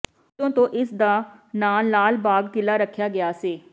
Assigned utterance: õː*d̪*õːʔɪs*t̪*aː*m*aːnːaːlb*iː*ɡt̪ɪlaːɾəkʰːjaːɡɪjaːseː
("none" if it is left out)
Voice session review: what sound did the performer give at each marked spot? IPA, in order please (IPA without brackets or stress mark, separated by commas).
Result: t̪, d̪, n, aː